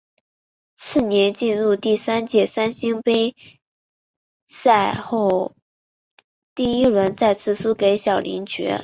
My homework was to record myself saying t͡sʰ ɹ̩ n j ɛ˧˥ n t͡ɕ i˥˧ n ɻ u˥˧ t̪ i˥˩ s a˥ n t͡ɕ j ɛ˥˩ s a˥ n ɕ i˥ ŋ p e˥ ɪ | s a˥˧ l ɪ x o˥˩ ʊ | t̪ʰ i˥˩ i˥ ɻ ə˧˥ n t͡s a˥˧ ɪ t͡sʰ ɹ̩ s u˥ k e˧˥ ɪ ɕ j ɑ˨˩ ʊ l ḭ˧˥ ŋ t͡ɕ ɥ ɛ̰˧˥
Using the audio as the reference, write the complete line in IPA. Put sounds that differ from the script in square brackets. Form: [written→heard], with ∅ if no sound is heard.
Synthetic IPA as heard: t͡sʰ ɹ̩ n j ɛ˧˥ n t͡ɕ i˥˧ n ɻ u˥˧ t̪ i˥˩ s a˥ n t͡ɕ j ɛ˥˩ s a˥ n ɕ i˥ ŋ p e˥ ɪ | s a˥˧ [l→∅] ɪ x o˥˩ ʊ | [t̪ʰ→t̪] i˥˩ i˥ ɻ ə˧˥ n t͡s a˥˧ ɪ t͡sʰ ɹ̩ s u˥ k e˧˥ ɪ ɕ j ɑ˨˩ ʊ l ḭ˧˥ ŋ t͡ɕ ɥ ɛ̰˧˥